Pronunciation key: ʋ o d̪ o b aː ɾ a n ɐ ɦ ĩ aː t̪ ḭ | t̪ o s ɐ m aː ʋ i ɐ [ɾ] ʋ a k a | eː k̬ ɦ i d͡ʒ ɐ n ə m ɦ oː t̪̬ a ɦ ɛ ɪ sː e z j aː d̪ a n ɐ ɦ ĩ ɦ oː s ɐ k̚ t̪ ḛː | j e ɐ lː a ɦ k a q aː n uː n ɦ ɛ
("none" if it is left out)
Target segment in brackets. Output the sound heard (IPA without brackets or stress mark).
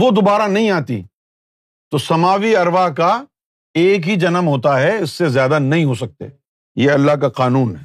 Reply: ɾ